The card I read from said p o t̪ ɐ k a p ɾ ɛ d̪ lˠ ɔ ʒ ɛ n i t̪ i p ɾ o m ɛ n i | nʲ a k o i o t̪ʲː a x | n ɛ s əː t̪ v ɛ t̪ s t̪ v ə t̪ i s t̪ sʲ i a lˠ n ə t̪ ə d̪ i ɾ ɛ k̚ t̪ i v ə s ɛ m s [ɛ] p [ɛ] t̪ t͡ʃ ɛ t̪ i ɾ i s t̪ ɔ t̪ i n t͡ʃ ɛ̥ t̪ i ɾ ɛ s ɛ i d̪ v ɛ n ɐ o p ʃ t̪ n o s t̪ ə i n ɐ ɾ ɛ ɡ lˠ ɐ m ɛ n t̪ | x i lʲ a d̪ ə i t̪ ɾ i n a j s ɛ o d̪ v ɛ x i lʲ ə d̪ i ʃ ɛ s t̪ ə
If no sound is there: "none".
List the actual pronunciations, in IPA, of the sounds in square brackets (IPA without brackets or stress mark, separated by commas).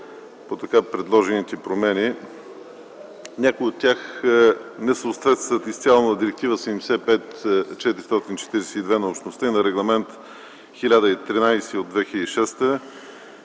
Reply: ɛ, ɛ